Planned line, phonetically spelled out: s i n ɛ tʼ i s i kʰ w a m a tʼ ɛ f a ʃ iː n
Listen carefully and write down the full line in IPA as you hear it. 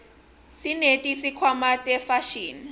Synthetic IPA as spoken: s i n e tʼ i s i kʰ w a m a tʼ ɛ f a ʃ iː n